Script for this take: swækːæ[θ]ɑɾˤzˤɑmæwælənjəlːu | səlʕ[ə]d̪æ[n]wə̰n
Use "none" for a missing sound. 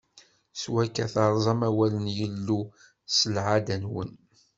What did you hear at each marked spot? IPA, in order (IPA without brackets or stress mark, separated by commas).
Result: θ, a, n